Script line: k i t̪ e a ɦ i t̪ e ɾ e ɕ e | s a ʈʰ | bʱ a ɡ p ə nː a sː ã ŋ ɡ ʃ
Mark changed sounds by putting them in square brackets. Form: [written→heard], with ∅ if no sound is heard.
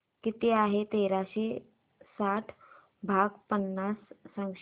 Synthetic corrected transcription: k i t̪ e a ɦ [i→e] t̪ e ɾ [e→a] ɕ e | s a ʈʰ | bʱ a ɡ p ə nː a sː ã ŋ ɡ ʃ